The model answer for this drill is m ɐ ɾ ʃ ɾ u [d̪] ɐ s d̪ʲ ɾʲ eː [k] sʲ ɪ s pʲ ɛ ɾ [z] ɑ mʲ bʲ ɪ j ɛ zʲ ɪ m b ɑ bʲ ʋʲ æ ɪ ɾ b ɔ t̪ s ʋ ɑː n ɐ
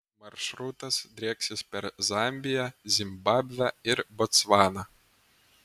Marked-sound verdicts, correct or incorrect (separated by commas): incorrect, correct, correct